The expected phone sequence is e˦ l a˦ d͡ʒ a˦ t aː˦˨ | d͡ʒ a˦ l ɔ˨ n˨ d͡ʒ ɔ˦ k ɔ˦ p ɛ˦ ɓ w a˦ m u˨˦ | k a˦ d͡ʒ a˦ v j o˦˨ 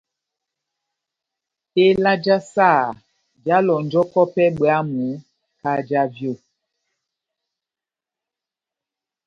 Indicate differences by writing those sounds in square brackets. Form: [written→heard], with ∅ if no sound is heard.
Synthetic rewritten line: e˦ l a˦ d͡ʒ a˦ [t→s] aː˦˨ | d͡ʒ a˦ l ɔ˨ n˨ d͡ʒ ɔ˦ k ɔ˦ p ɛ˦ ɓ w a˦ m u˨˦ | k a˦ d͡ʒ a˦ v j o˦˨